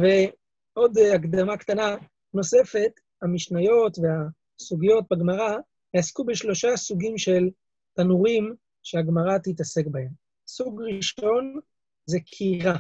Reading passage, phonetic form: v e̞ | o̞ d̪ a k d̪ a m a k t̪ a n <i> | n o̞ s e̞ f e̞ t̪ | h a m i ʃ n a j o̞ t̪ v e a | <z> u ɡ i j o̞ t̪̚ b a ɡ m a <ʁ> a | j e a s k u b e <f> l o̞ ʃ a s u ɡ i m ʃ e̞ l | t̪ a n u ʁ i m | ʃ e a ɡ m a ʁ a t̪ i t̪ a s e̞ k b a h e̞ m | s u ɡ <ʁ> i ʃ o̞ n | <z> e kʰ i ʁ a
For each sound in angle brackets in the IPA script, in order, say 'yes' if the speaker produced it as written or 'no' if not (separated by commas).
no, no, yes, no, yes, yes